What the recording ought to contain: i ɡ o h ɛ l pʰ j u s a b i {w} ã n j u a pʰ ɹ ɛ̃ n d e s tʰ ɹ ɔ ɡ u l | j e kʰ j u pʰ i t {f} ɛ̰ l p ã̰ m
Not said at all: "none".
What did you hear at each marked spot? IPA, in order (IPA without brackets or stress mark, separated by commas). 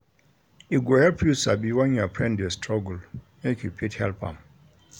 w, h